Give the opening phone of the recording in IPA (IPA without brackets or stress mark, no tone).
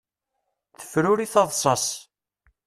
θ